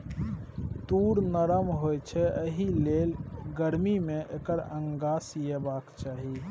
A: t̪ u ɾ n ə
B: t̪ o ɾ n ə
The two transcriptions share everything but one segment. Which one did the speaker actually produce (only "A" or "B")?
A